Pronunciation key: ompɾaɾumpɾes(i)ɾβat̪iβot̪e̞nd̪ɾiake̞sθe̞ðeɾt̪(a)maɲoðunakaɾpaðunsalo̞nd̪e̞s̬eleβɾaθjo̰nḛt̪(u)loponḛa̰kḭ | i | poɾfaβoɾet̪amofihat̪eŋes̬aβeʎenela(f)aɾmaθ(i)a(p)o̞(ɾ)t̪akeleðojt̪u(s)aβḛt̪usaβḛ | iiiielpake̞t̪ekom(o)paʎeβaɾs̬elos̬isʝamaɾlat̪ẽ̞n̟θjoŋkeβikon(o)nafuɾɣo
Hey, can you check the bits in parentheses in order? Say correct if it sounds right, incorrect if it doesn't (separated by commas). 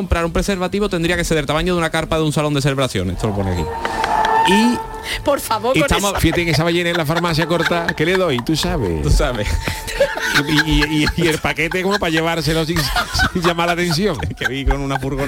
incorrect, correct, incorrect, correct, incorrect, incorrect, correct, correct, correct, incorrect